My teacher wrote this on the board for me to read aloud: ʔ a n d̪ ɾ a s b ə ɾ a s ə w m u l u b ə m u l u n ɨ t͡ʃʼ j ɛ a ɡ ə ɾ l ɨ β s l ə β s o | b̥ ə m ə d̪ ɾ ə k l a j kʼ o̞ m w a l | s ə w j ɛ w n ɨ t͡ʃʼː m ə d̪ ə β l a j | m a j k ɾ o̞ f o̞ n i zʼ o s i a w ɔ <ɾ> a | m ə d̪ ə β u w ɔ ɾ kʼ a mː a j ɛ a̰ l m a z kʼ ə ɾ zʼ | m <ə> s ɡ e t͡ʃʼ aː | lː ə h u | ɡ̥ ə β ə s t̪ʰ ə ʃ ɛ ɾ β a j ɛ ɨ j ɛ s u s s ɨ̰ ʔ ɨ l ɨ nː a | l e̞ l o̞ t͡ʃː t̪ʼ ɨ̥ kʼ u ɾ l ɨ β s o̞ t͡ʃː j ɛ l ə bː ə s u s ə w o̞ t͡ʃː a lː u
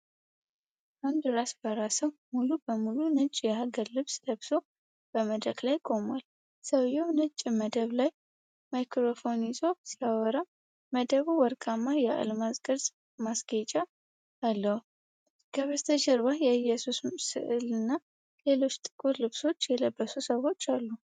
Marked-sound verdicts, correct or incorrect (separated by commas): correct, incorrect